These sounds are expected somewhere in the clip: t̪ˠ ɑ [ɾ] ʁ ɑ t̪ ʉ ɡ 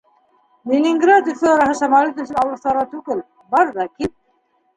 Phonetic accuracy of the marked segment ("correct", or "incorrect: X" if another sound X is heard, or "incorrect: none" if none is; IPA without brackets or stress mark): correct